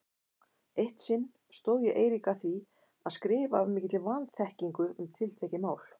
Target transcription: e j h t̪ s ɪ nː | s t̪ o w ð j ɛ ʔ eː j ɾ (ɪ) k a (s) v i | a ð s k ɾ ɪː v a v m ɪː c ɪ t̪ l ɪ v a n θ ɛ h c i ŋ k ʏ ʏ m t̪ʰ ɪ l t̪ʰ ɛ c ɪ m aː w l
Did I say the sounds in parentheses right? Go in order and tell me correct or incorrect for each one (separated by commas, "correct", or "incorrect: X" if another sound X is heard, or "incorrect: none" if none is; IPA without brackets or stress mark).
incorrect: i, incorrect: θ